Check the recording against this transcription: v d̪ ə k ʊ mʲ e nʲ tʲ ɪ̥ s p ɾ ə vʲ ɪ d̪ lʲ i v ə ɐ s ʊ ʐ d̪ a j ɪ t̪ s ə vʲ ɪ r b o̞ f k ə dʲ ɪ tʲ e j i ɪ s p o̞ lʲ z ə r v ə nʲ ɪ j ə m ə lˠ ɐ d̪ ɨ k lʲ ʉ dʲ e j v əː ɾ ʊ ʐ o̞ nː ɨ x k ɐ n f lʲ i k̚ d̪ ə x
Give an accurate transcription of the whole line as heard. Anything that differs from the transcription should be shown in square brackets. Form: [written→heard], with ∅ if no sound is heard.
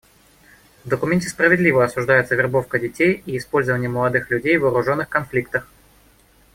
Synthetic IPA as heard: v d̪ ə k ʊ mʲ e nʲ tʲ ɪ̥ s p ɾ ə vʲ ɪ d̪ lʲ i v ə ɐ s ʊ ʐ d̪ a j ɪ t̪ s ə vʲ ɪ r b o̞ f k ə dʲ ɪ tʲ e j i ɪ s p o̞ lʲ z ə [r→∅] v ə nʲ ɪ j ə m ə lˠ ɐ d̪ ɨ [k→x] lʲ ʉ dʲ e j v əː ɾ ʊ ʐ o̞ nː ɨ x k ɐ n f lʲ i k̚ [d̪→t̪] ə x